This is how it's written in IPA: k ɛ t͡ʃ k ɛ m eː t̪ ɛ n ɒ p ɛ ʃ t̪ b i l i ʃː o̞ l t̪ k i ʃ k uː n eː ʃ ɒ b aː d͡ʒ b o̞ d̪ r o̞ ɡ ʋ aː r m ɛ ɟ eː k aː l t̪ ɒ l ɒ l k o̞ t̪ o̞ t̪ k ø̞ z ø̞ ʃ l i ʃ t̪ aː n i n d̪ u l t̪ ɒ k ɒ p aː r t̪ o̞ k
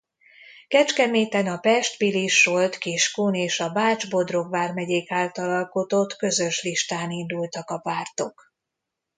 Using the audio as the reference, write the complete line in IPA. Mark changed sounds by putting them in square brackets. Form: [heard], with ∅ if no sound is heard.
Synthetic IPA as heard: k ɛ t͡ʃ k ɛ m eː t̪ ɛ n ɒ p ɛ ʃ t̪ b i l i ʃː o̞ l t̪ k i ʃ k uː n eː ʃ ɒ b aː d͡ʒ b o̞ d̪ r o̞ ɡ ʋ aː r m ɛ ɟ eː k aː l t̪ ɒ l ɒ l k o̞ t̪ o̞ t̪ k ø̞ z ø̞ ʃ l i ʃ t̪ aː n i n d̪ u l t̪ ɒ k ɒ p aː r t̪ o̞ k